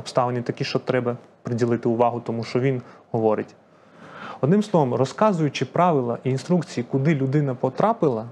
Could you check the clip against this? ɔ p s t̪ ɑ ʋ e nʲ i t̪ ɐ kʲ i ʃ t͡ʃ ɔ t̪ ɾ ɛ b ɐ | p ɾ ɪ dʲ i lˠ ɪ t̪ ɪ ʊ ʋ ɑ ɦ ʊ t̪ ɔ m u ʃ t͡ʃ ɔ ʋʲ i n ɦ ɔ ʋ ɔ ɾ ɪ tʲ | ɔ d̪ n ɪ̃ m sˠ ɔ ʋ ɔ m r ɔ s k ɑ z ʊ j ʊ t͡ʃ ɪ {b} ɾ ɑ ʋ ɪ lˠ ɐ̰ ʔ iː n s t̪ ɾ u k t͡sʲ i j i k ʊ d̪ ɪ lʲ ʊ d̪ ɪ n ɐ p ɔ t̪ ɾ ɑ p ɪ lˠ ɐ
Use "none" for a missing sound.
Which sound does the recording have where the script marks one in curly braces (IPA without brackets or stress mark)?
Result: p